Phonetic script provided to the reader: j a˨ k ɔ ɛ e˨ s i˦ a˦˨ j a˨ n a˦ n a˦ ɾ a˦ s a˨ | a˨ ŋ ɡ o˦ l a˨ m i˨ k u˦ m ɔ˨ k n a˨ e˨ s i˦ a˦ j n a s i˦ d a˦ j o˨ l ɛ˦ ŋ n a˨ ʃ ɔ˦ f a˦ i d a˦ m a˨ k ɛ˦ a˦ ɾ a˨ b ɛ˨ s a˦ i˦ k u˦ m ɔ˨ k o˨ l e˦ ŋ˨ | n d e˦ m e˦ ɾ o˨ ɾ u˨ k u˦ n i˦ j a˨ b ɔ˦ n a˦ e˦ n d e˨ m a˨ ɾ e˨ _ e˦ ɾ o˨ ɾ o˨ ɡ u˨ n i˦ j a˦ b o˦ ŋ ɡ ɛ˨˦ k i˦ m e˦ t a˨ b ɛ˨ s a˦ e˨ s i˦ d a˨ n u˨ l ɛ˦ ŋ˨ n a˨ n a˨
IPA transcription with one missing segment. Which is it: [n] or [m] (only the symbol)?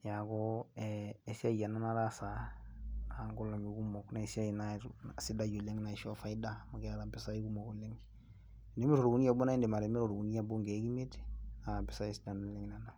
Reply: m